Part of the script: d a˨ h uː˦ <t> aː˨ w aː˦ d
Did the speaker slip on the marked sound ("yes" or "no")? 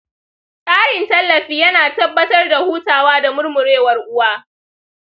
no